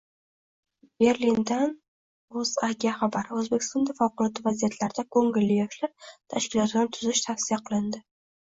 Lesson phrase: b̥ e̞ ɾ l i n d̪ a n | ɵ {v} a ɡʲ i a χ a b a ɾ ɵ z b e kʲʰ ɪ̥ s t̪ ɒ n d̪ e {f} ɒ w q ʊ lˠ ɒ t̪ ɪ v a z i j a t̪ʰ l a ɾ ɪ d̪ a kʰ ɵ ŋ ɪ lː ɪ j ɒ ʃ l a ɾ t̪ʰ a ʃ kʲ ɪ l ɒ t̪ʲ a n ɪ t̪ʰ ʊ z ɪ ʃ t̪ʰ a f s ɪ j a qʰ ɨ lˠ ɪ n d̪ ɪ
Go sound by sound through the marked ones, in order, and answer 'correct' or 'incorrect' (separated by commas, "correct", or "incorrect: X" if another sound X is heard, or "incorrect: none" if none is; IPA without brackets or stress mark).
incorrect: z, correct